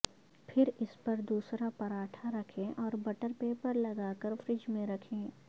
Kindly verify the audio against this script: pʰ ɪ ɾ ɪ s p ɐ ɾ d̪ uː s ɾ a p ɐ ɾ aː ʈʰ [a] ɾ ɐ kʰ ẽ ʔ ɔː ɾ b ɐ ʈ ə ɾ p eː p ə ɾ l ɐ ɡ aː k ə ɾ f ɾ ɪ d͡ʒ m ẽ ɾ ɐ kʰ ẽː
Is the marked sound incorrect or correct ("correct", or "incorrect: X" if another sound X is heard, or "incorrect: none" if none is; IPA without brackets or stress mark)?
correct